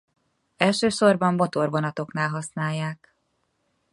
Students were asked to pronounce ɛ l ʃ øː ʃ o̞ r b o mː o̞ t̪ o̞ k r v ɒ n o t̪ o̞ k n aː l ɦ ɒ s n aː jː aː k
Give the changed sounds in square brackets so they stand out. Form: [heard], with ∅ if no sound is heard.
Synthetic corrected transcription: ɛ l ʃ øː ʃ o̞ r b [ɒ] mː o̞ t̪ o̞ [∅] r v [o] n [ɒ] t̪ o̞ k n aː l ɦ ɒ s n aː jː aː k

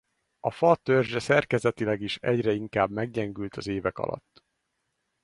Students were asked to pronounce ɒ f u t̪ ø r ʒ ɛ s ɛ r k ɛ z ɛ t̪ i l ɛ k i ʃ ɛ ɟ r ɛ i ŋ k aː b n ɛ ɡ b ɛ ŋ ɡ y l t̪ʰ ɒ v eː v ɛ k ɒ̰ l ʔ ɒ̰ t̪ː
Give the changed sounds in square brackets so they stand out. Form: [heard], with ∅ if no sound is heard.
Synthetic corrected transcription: ɒ f [ɒ] t̪ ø r ʒ ɛ s ɛ r k ɛ z ɛ t̪ i l ɛ [ɡ] i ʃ ɛ ɟ r ɛ i ŋ k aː b [m] ɛ ɡ [ɟ] ɛ ŋ ɡ y l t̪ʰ ɒ [z] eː v ɛ k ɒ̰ l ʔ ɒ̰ t̪ː

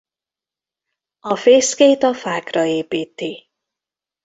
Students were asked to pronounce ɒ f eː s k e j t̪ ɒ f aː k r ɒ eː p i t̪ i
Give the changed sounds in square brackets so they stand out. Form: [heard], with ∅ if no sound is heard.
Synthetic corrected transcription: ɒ f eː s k e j t̪ ɒ f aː k r ɒ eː p [iː] t̪ i

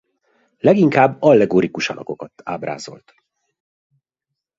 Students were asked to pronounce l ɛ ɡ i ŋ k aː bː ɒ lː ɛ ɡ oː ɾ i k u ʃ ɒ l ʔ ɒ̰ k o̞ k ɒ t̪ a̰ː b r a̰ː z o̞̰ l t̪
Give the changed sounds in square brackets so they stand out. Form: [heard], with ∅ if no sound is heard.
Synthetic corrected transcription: l ɛ ɡ i ŋ k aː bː ɒ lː ɛ ɡ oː ɾ i k u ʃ ɒ l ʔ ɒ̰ k o̞ k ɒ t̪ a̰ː b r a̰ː z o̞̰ l t̪

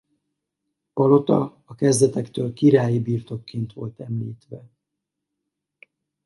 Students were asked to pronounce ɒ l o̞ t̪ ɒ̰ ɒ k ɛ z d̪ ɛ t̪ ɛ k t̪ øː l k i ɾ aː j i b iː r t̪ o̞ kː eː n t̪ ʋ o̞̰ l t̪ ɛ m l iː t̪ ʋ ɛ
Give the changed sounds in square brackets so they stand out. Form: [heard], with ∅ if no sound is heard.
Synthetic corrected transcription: ɒ l o̞ t̪ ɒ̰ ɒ k ɛ z d̪ ɛ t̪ ɛ k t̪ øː l k i ɾ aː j i b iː r t̪ o̞ kː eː n t̪ ʋ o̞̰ l t̪ ɛ m l iː t̪ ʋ ɛ

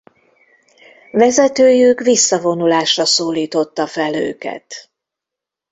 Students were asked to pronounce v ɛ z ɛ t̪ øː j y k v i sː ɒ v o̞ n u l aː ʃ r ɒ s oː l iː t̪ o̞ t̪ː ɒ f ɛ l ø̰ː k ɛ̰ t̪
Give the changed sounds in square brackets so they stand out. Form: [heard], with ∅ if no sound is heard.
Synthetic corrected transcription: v ɛ z ɛ t̪ øː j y k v i sː ɒ v o̞ n u l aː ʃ r ɒ s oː l iː t̪ o̞ t̪ː ɒ f ɛ l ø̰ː k ɛ̰ t̪

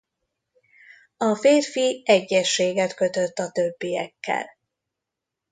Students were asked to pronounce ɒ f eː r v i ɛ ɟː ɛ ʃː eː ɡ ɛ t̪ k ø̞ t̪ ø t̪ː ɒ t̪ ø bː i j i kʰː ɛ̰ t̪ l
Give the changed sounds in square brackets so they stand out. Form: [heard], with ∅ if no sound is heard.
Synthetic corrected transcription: ɒ f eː r [f] i ɛ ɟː ɛ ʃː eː ɡ ɛ t̪ k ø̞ t̪ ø t̪ː ɒ t̪ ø bː i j [ɛ] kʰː ɛ̰ [∅] l

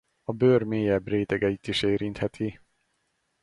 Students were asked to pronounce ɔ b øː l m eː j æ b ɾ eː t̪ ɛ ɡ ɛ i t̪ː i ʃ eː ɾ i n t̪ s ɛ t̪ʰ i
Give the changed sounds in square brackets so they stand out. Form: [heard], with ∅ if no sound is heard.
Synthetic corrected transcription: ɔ b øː [ɾ] m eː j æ b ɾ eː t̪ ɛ ɡ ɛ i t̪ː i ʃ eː ɾ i n t̪ [h] ɛ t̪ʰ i

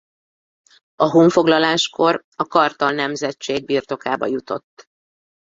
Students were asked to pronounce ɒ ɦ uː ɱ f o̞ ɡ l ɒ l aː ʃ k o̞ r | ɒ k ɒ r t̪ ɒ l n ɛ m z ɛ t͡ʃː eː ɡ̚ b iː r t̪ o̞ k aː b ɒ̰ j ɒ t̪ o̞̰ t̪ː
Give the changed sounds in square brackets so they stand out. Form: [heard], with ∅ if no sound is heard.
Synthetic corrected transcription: ɒ ɦ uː ɱ f o̞ ɡ l ɒ l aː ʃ k o̞ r | ɒ k ɒ r t̪ ɒ l n ɛ m z ɛ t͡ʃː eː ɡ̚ b iː r t̪ o̞ k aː b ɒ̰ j [u] t̪ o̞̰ t̪ː

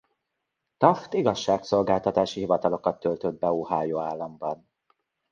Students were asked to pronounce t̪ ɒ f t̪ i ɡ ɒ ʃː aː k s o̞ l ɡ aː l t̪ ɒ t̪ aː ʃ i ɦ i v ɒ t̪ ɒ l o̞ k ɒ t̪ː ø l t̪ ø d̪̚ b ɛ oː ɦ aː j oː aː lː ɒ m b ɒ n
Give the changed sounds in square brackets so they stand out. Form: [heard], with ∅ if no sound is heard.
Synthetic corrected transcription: t̪ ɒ f t̪ i ɡ ɒ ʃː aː k s o̞ l ɡ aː l t̪ ɒ t̪ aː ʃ i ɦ i v ɒ t̪ ɒ l o̞ k ɒ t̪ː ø l t̪ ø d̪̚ b ɛ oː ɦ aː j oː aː lː ɒ m b ɒ n

